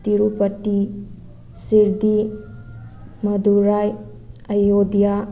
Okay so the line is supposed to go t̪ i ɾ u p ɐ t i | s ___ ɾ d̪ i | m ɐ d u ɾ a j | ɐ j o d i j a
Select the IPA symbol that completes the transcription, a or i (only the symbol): i